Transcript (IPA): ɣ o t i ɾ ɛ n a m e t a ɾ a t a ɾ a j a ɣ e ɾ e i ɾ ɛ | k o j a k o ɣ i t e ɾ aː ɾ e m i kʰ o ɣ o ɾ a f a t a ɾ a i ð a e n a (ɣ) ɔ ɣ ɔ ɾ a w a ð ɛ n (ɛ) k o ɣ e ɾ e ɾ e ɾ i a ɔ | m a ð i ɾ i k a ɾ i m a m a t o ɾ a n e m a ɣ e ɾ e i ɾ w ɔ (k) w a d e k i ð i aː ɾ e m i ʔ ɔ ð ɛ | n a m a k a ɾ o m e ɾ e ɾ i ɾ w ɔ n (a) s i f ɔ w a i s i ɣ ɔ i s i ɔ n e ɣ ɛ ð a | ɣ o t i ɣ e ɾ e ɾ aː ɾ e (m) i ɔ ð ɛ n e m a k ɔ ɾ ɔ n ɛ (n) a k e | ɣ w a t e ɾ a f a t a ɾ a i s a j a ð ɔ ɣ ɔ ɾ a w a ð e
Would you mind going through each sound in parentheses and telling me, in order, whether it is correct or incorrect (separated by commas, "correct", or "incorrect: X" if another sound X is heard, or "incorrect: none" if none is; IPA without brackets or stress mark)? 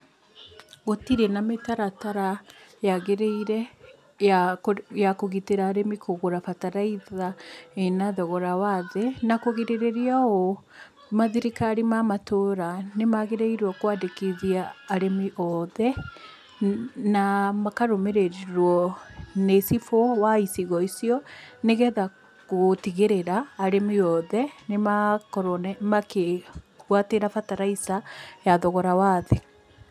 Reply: incorrect: ð, incorrect: a, correct, incorrect: e, correct, incorrect: m